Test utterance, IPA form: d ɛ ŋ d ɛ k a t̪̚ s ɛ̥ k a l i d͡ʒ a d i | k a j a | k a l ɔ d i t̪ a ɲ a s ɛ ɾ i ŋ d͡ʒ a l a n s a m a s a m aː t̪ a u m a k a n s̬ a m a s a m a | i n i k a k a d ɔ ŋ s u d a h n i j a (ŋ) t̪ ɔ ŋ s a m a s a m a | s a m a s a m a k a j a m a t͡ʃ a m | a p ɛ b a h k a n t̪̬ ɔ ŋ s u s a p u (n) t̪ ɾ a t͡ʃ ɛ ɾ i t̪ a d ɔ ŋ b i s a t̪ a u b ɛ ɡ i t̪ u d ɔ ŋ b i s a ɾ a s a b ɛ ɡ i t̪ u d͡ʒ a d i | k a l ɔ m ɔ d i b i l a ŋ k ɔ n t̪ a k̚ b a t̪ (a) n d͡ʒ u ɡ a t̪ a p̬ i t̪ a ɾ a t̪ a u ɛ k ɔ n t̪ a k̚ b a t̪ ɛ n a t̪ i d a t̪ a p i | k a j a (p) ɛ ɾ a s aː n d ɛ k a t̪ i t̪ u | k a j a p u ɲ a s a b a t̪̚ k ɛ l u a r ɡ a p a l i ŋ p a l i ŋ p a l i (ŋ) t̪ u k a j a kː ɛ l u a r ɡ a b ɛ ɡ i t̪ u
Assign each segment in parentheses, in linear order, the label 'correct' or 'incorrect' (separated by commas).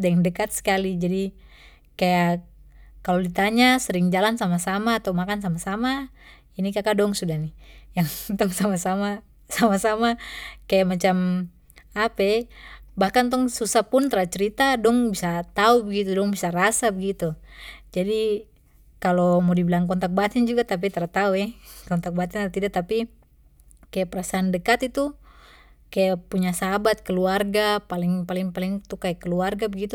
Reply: correct, correct, incorrect, correct, correct